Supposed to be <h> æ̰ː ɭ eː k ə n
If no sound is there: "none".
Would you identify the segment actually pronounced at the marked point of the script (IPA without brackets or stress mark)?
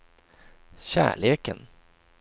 ɕ